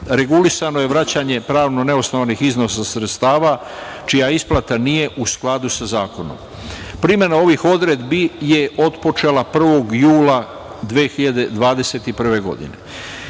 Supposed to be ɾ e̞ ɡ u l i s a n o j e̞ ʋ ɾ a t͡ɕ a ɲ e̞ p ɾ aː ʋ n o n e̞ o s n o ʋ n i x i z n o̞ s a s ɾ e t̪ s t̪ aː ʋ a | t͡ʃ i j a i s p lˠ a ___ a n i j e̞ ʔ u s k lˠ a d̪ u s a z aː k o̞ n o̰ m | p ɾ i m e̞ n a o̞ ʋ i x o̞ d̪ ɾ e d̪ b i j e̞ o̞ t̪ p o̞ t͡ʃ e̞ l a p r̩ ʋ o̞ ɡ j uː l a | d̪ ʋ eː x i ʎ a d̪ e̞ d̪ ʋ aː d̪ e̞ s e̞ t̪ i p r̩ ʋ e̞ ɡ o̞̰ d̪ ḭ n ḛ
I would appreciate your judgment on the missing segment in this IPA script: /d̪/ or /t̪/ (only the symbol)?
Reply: t̪